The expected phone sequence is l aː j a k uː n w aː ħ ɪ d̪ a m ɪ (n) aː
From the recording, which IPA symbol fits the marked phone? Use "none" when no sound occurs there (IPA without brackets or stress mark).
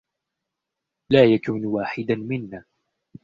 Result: nː